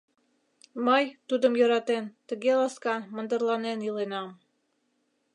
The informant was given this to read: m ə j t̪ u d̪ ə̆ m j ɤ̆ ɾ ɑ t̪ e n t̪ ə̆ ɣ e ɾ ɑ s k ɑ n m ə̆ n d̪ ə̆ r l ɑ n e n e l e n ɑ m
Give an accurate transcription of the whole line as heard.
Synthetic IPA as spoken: m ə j t̪ u d̪ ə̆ m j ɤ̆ ɾ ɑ t̪ e n t̪ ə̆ ɣ e l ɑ s k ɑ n m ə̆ n d̪ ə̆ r l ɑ n e n i l e n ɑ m